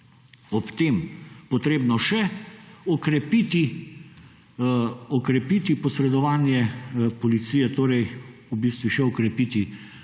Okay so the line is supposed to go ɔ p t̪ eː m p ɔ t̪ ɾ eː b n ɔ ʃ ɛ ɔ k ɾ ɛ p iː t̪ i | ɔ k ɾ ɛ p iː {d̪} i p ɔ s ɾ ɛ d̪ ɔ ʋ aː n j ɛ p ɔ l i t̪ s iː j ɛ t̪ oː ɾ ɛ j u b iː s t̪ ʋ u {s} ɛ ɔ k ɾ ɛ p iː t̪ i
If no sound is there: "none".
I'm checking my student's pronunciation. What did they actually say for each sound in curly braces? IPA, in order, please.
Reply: t̪, ʃ

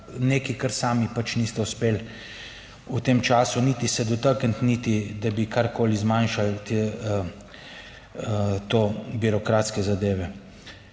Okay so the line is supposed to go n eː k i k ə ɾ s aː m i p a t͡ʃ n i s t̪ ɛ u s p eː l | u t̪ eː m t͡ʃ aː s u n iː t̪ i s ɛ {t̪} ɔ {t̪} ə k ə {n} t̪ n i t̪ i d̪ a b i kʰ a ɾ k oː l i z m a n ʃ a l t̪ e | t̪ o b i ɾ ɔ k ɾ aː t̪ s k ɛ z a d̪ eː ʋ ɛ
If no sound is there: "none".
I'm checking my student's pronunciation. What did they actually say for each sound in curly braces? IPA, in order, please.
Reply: d̪, t̪, n

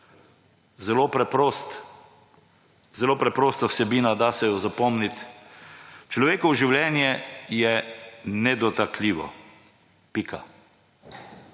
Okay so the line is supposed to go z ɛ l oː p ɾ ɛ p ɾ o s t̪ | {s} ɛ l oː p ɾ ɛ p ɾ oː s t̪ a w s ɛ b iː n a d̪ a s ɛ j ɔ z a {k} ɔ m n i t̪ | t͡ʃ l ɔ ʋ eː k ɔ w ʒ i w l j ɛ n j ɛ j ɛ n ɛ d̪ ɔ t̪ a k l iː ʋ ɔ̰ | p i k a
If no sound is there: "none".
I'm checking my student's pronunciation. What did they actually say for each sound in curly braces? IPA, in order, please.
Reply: z, p

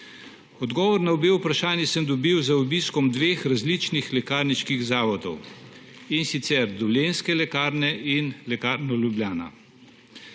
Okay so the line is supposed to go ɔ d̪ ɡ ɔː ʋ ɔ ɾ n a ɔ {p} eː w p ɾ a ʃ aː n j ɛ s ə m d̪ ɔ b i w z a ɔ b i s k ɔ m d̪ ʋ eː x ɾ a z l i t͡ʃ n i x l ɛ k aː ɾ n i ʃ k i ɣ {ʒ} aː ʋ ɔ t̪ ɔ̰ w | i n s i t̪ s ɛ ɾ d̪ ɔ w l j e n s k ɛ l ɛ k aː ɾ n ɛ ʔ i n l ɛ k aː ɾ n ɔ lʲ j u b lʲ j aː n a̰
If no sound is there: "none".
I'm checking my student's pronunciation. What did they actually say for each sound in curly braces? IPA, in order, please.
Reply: b, z

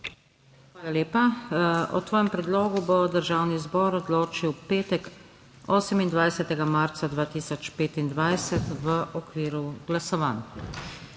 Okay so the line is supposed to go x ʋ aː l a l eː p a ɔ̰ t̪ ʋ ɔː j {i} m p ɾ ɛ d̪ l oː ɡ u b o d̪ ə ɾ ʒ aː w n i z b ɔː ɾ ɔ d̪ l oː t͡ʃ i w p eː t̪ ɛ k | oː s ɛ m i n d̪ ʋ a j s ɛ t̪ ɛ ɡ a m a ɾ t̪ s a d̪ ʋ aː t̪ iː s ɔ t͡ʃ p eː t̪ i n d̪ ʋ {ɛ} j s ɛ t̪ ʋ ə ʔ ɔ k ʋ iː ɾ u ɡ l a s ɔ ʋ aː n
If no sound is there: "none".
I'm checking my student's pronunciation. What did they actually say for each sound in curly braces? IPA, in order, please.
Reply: ɛ, a

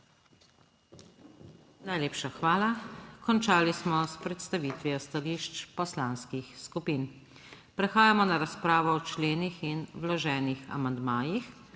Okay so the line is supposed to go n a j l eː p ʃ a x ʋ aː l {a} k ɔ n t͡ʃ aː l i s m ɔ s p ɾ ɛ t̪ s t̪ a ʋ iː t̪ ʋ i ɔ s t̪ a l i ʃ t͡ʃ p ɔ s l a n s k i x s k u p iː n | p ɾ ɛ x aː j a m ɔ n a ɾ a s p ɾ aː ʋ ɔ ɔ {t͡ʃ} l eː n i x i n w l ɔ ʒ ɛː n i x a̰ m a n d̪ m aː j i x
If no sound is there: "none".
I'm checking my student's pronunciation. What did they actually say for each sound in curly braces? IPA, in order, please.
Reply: a, t͡ʃ

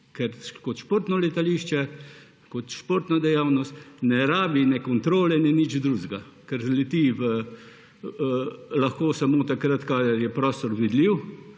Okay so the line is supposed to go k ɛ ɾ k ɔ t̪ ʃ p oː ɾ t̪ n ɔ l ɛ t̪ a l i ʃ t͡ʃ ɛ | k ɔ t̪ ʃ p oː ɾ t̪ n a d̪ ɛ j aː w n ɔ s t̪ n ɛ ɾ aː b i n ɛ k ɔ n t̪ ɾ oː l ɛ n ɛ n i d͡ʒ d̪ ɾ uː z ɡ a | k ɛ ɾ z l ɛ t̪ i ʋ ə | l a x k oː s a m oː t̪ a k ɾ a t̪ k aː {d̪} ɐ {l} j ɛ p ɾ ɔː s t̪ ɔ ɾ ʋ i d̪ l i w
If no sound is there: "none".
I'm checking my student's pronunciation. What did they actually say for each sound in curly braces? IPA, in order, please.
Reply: d̪, ɾ

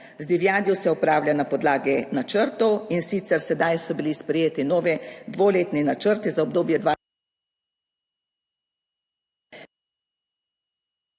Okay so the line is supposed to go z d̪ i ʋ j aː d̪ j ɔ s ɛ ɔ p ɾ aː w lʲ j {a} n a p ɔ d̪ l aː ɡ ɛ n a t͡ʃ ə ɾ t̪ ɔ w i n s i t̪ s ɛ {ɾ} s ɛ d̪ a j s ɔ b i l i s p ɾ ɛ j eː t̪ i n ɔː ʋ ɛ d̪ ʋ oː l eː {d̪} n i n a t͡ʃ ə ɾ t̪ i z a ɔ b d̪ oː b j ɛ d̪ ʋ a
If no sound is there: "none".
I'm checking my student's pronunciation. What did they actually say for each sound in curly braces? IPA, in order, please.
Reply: a, ɾ, t̪

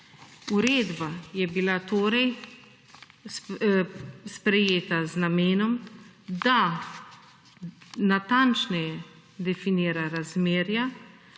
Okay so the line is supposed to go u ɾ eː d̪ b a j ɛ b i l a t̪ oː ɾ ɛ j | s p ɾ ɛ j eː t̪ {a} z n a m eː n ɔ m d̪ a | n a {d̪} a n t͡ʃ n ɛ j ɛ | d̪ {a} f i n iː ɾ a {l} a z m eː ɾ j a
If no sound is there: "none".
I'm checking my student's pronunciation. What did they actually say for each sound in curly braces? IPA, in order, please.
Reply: a, t̪, ɛ, ɾ

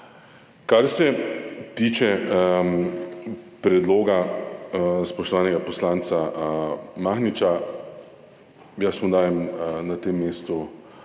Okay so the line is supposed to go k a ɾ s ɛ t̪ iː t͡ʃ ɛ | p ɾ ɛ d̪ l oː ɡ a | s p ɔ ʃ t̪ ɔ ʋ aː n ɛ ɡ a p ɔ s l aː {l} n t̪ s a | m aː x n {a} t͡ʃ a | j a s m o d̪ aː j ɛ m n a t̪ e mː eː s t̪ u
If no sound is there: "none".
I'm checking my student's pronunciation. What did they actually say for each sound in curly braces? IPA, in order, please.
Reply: none, i

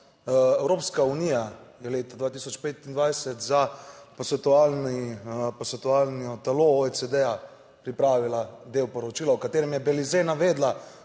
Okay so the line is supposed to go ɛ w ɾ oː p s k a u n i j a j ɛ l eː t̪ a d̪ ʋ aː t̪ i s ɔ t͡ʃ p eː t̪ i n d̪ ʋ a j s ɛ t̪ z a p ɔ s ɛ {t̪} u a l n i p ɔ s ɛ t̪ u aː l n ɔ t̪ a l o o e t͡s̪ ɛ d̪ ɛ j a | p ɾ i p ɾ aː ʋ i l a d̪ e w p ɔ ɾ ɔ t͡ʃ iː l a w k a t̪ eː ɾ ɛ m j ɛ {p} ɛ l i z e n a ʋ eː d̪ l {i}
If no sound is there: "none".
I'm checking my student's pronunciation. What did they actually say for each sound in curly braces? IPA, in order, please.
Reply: t̪, b, a

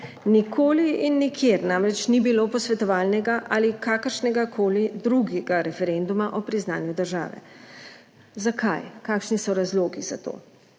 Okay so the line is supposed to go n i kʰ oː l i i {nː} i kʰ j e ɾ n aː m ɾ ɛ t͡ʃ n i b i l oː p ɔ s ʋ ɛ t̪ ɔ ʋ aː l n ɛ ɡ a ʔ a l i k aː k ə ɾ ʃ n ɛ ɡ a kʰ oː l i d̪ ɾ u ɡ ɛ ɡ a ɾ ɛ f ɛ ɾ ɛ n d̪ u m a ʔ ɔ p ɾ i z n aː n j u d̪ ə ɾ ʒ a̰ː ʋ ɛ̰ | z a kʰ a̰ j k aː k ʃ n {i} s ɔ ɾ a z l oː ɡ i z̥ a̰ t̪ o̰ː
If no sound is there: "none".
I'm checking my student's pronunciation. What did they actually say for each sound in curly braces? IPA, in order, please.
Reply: nː, i

